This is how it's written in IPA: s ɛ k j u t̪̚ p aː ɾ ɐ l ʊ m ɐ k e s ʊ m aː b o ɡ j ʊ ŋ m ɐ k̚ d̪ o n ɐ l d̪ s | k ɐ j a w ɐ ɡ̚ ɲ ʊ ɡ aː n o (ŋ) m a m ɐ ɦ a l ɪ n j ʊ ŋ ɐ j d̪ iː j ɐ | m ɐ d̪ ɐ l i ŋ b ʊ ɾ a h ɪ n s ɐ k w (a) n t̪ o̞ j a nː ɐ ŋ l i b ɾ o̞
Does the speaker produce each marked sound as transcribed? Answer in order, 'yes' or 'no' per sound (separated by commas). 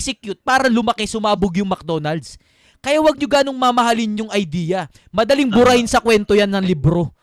yes, no